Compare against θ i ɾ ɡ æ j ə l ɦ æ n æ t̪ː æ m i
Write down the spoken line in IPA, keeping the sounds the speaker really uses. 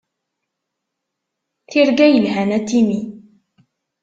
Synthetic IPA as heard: θ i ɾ ɡ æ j ə l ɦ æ n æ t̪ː i m i